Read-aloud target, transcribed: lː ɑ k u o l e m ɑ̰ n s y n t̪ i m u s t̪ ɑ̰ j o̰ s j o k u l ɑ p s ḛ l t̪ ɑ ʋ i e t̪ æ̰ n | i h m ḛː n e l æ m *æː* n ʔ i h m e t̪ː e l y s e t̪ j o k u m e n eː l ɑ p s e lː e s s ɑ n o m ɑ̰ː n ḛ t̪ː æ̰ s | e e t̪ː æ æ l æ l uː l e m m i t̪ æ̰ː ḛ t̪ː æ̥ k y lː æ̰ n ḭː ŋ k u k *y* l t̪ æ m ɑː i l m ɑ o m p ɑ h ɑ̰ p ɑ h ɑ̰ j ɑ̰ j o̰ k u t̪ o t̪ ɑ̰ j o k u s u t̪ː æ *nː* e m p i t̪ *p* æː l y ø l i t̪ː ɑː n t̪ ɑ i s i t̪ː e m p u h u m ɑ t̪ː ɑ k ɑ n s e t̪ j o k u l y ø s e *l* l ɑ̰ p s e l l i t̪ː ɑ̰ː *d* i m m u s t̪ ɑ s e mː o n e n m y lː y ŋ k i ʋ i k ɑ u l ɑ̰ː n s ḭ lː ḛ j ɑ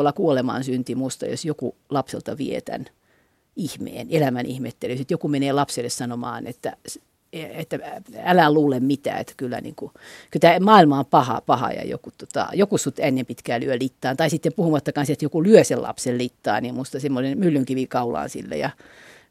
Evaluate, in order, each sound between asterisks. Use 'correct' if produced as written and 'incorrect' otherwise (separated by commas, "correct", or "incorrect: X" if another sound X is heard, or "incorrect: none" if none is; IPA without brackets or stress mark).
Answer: incorrect: æ, correct, correct, incorrect: k, correct, incorrect: n